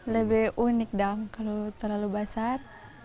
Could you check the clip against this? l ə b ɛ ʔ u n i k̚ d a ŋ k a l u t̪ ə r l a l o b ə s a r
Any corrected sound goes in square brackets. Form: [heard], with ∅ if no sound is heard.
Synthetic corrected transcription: l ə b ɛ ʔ u n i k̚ d a ŋ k a l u t̪ ə r l a l [u] b [a] s a r